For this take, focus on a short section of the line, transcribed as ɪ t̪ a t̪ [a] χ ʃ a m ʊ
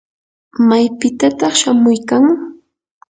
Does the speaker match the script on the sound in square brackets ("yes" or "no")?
no